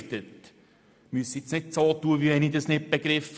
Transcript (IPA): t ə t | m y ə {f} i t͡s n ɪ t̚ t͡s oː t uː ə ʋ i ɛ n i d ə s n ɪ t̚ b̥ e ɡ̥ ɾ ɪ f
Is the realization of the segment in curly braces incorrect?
yes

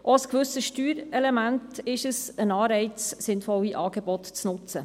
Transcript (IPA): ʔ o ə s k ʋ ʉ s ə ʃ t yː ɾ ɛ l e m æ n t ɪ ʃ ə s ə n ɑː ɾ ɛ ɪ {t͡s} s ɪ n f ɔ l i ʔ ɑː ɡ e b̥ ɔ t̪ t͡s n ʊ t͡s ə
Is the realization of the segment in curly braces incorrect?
no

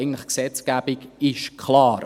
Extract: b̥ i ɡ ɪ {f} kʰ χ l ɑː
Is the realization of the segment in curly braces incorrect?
yes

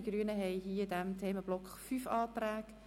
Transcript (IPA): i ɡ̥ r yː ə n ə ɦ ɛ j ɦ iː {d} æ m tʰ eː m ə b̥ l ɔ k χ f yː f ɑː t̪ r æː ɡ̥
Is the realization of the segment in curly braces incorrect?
no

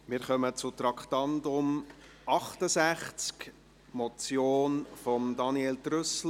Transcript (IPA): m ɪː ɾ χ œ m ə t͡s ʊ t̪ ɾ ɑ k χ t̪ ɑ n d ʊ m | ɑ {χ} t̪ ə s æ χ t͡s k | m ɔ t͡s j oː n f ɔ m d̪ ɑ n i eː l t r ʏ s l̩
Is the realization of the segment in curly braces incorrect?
no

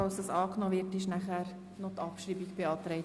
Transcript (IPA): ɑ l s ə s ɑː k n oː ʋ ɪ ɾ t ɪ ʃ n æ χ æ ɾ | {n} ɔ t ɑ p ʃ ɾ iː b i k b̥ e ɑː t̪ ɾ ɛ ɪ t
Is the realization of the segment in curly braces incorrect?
no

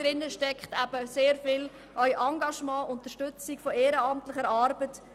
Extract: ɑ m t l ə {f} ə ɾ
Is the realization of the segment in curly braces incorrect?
yes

